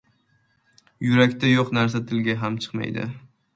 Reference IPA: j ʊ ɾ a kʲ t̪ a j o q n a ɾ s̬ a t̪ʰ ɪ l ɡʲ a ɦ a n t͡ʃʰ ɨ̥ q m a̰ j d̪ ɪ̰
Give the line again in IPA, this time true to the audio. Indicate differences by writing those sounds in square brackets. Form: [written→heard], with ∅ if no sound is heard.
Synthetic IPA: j ʊ ɾ a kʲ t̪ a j o q n a ɾ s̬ a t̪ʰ ɪ l ɡʲ a ɦ a [n→m] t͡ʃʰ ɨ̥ q m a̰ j d̪ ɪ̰

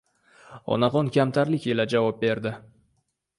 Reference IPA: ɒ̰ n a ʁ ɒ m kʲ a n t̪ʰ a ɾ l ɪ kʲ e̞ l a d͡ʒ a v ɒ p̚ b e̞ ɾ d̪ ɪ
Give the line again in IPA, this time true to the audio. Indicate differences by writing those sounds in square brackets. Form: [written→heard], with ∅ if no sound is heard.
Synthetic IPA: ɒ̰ n a ʁ ɒ [m→n] kʲ a [n→m] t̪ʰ a ɾ l ɪ kʲ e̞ l a d͡ʒ a v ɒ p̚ b e̞ ɾ d̪ ɪ

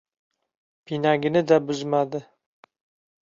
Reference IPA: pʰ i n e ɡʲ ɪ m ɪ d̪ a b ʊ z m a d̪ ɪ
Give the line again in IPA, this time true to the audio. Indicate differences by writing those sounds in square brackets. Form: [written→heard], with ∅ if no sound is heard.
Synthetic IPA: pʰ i n [e→a] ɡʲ ɪ [m→n] ɪ d̪ a b ʊ z m a d̪ ɪ

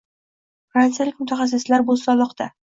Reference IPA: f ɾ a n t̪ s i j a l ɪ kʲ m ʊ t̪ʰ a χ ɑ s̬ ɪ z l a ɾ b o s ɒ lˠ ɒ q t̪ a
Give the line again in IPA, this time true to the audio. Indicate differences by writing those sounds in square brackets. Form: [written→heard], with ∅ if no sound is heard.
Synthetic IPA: f ɾ a n t̪ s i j a l ɪ kʲ m ʊ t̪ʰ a χ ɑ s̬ ɪ [z→s] l a ɾ b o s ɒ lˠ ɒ q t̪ a

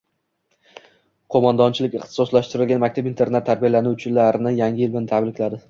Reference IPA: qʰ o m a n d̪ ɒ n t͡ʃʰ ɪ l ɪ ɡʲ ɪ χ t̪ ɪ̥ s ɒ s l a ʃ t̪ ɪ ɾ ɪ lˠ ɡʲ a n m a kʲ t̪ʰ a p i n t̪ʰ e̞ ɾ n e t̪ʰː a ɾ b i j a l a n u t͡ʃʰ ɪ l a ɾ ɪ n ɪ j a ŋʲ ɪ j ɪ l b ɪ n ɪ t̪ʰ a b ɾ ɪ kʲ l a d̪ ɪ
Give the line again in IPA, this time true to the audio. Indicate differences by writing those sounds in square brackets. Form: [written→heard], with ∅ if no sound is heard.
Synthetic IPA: qʰ o m a n d̪ ɒ n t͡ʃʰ ɪ l ɪ [ɡʲ→kʲ] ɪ χ t̪ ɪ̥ s ɒ s l a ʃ t̪ ɪ ɾ ɪ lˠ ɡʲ a n m a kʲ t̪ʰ a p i n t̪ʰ e̞ ɾ n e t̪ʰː a ɾ b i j a l a n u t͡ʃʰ ɪ l a ɾ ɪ n ɪ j a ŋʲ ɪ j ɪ l b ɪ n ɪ t̪ʰ a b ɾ ɪ kʲ l a d̪ ɪ

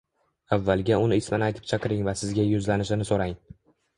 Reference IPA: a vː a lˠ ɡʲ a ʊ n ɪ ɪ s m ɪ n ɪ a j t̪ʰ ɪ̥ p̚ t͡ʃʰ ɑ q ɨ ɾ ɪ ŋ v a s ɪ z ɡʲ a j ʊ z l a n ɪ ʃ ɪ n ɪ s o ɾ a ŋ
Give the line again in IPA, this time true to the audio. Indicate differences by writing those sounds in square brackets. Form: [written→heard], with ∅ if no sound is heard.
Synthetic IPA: a vː a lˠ ɡʲ a ʊ n ɪ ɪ s m ɪ n ɪ a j t̪ʰ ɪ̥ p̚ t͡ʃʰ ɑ q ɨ ɾ ɪ ŋ v a s ɪ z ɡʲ a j ʊ z l a n ɪ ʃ ɪ n ɪ s o ɾ a ŋ

